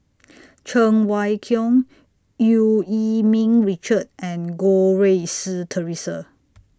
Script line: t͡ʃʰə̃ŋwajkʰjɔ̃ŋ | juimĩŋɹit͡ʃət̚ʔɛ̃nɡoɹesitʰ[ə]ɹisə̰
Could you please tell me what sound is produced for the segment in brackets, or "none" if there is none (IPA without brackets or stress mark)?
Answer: ə